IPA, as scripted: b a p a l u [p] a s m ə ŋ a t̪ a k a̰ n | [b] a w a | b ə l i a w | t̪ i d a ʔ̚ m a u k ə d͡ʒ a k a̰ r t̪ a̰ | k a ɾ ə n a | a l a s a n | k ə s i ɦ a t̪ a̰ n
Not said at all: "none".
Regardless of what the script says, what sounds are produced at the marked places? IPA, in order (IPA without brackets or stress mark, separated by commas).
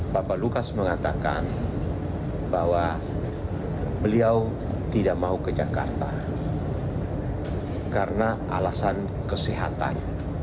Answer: k, b